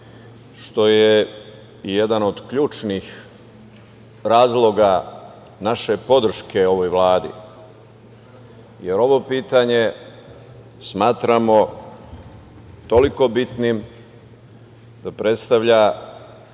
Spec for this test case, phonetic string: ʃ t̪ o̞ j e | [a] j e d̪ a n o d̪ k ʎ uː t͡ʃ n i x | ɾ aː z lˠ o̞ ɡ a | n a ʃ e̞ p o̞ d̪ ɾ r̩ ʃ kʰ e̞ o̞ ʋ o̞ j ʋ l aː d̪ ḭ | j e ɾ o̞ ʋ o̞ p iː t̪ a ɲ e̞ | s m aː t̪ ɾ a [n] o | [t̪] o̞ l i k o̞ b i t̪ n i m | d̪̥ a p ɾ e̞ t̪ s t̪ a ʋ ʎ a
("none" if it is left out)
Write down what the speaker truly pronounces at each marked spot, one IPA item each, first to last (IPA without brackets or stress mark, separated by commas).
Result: i, m, t̪